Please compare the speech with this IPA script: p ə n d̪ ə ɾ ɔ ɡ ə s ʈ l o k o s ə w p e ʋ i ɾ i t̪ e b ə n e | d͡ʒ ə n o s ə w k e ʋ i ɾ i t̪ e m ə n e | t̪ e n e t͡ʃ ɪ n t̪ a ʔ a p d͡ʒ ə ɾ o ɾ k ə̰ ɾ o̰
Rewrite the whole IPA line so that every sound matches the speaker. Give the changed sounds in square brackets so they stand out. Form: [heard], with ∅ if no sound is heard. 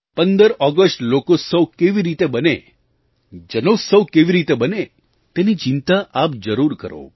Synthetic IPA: p ə n d̪ ə ɾ ɔ ɡ ə s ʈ l o k o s ə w [k] e ʋ i ɾ i t̪ e b ə n e | d͡ʒ ə n o s ə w k e ʋ i ɾ i t̪ e [b] ə n e | t̪ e n [i] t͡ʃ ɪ n t̪ a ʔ a p d͡ʒ ə ɾ [u] ɾ k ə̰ ɾ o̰